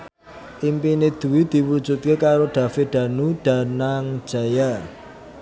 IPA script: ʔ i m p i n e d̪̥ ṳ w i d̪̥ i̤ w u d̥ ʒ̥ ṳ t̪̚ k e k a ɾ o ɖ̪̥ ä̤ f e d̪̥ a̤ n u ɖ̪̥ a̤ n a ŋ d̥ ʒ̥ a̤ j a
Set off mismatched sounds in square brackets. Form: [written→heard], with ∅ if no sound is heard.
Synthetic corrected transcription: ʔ i m p i n e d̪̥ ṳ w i d̪̥ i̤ w u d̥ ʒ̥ ṳ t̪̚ k e k a ɾ o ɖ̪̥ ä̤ f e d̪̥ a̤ n u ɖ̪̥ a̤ n a ŋ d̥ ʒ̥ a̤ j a